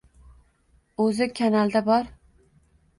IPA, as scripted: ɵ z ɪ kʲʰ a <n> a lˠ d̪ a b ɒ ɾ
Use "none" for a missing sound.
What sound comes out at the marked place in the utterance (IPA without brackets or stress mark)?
n